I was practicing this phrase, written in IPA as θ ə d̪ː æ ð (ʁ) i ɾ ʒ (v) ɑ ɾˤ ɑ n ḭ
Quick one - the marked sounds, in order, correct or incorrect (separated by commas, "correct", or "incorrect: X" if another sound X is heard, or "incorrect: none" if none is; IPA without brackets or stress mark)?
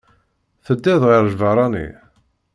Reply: correct, correct